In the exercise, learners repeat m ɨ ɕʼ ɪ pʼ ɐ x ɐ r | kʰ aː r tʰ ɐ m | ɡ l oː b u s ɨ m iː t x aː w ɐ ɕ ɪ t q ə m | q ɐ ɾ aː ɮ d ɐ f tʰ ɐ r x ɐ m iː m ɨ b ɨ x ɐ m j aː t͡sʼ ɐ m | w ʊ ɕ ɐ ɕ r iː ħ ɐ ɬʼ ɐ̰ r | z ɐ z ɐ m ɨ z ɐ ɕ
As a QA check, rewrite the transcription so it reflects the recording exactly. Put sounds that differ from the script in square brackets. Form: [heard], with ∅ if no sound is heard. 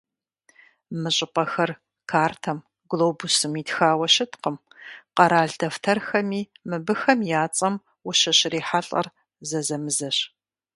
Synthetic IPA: m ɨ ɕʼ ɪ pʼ ɐ x ɐ r | kʰ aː r tʰ ɐ m | ɡ l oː b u s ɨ m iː t x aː w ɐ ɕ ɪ t q ə m | q ɐ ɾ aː ɮ d ɐ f tʰ ɐ r x ɐ m iː m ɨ b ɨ x ɐ m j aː t͡sʼ ɐ m | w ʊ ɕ ɐ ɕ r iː ħ [a] ɬʼ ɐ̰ r | z ɐ z ɐ m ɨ z ɐ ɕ

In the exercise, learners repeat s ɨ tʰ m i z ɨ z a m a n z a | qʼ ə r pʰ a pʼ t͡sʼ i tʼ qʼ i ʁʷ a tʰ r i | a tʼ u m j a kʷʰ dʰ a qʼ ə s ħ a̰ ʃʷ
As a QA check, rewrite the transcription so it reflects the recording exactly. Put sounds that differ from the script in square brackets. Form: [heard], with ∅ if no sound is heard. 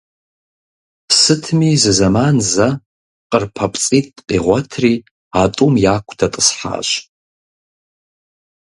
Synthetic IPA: s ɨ tʰ m i z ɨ z a m a n z a | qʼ ə r pʰ a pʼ t͡sʼ i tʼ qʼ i ʁʷ a tʰ r i | a tʼ u m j a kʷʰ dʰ a [tʼ] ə s ħ a̰ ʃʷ

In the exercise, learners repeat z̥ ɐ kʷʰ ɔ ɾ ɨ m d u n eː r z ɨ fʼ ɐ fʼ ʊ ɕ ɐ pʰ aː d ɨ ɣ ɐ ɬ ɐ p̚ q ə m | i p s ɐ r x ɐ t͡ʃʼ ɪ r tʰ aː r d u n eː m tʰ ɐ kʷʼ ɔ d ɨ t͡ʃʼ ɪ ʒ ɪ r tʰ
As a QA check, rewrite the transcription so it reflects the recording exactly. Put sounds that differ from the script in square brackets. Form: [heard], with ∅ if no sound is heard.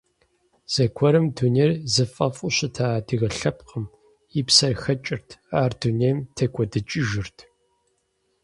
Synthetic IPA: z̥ ɐ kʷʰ ɔ ɾ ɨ m d u n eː r z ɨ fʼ ɐ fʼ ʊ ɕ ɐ [tʰ] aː d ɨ ɣ ɐ ɬ ɐ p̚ q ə m | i p s ɐ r x ɐ t͡ʃʼ ɪ r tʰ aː r d u n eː m tʰ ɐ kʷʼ ɔ d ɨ t͡ʃʼ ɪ ʒ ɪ r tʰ

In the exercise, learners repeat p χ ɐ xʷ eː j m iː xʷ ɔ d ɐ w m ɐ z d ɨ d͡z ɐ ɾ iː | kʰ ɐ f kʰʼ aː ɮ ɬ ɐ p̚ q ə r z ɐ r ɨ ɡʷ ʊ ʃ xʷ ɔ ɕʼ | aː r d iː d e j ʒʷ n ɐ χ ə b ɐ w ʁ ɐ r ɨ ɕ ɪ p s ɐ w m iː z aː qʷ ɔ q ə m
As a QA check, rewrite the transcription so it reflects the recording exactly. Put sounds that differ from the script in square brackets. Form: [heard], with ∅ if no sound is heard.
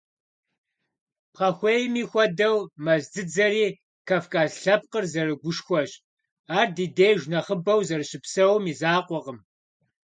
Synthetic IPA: p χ ɐ xʷ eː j m iː xʷ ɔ d ɐ w m ɐ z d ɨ d͡z ɐ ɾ iː | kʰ ɐ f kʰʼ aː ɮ ɬ ɐ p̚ q ə r z ɐ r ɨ ɡʷ ʊ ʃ xʷ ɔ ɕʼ | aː r d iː d e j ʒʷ n ɐ χ ə b ɐ w [z] ɐ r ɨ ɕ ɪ p s ɐ w m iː z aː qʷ ɔ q ə m

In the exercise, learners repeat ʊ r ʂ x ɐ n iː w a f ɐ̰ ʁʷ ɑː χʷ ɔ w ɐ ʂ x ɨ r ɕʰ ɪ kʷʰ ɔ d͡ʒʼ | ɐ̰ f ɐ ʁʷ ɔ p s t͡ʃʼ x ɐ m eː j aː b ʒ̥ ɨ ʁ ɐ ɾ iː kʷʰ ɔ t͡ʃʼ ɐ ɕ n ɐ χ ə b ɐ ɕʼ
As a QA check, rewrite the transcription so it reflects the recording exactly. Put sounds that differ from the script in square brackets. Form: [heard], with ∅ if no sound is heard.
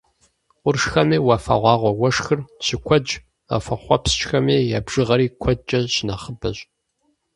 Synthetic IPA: ʊ r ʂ x ɐ n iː w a f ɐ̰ ʁʷ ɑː [ʁʷ] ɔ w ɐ ʂ x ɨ r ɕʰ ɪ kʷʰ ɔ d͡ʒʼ | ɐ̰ f ɐ [χʷ] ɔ p s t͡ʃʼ x ɐ m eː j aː b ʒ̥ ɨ ʁ ɐ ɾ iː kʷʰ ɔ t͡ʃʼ ɐ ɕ n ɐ χ ə b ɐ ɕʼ

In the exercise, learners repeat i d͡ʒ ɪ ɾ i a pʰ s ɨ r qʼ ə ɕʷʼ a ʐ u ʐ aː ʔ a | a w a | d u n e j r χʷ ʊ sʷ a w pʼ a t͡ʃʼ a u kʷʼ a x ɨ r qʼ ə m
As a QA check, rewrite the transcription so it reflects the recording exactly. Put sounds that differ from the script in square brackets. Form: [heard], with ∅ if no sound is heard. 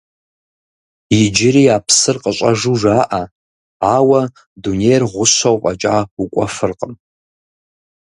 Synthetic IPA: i d͡ʒ ɪ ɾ i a pʰ s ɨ r qʼ ə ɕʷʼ a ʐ u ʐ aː ʔ a | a w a | d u n e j r [ʁʷ] ʊ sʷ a w pʼ a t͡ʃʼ a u kʷʼ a [f] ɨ r qʼ ə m

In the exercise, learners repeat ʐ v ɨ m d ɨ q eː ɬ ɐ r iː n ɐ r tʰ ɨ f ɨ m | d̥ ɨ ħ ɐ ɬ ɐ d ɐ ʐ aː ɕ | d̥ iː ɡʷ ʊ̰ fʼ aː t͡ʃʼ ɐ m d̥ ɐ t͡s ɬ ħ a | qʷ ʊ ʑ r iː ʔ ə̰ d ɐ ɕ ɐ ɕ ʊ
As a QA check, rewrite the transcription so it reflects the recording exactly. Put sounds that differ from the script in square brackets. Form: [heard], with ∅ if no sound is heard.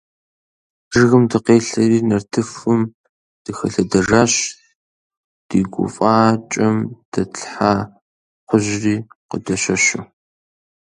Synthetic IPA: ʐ [ɣ] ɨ m d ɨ q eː ɬ ɐ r iː n ɐ r tʰ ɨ f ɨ m | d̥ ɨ [x] ɐ ɬ ɐ d ɐ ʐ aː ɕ | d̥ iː ɡʷ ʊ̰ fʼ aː t͡ʃʼ ɐ m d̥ ɐ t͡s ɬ ħ a | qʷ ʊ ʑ r iː [q] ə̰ d ɐ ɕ ɐ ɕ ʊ

